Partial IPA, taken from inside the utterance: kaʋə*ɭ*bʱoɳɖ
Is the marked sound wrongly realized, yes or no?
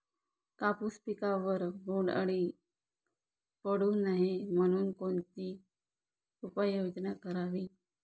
yes